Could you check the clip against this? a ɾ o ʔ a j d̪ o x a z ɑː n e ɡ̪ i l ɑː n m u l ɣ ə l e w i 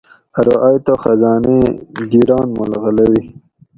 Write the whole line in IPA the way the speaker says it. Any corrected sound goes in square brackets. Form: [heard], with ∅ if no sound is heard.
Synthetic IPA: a ɾ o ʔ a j [t̪] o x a z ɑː n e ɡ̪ i [ɾ] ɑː n m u l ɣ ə l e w i